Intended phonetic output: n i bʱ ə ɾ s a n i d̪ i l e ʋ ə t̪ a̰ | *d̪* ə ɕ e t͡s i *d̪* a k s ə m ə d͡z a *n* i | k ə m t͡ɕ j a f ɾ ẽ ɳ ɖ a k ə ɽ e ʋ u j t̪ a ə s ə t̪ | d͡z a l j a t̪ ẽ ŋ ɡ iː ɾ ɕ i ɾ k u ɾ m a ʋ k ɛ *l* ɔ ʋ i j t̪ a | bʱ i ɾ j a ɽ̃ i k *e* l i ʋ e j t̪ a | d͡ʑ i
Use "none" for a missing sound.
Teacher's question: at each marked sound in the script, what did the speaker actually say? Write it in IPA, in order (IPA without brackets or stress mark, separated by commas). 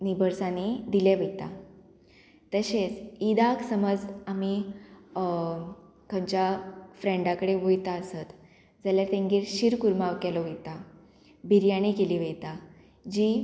t̪, d̪, m, l, e